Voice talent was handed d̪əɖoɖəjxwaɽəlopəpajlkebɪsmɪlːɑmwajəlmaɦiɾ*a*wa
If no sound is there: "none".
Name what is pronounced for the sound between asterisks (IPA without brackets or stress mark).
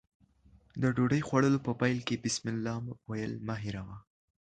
a